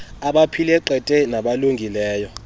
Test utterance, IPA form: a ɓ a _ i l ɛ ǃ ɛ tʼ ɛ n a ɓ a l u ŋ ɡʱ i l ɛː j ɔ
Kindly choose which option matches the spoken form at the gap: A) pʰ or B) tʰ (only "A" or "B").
A